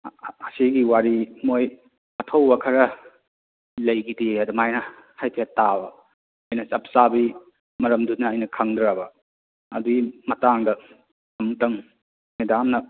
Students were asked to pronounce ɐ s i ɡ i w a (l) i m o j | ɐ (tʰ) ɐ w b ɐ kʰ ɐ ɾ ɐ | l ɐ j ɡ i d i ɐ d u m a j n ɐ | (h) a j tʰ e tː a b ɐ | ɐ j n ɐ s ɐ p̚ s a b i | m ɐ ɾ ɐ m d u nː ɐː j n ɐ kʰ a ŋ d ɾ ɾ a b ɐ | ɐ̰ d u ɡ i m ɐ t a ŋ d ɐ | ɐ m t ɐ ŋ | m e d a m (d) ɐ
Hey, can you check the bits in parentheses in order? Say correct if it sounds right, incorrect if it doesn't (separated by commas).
incorrect, correct, correct, incorrect